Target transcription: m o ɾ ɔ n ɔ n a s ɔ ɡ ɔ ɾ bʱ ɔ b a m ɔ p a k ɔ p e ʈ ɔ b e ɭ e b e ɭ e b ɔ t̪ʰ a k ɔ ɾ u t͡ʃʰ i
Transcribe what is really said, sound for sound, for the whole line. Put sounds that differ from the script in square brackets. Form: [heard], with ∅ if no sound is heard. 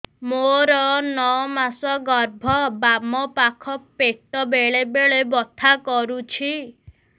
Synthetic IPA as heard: m o ɾ ɔ n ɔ [m] a s ɔ ɡ ɔ ɾ bʱ ɔ b a m ɔ p a [kʰ] ɔ p e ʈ ɔ b e ɭ e b e ɭ e b ɔ t̪ʰ a k ɔ ɾ u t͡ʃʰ i